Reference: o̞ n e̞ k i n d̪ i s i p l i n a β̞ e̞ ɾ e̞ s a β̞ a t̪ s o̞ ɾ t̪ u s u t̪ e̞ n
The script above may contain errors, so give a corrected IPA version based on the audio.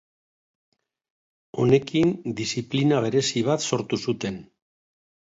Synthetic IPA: o̞ n e̞ k i n d̪ i s i p l i n a β̞ e̞ ɾ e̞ s i β̞ a t̪ s o̞ ɾ t̪ u s u t̪ e̞ n